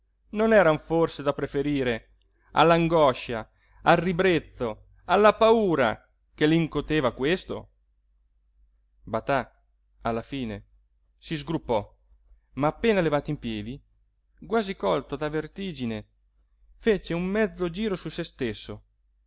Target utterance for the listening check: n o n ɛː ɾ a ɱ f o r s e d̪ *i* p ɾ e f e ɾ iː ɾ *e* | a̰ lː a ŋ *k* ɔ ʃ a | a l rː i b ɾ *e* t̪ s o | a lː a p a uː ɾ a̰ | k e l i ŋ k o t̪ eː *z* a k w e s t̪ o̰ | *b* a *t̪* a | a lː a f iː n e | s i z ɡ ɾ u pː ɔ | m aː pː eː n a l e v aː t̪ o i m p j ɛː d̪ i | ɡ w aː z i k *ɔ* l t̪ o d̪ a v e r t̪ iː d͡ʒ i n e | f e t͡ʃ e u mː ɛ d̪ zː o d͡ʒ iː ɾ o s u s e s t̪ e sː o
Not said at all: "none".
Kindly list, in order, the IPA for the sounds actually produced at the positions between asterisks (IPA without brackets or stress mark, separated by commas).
a, e, ɡ, e, v, b, t̪, ɔ